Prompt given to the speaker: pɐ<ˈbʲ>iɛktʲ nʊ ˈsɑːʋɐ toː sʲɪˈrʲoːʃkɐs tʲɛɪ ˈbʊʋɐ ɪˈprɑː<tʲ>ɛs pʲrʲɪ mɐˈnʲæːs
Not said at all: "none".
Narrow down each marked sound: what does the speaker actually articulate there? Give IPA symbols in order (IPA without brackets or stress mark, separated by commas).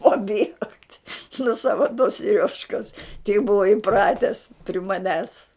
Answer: bʲ, tʲ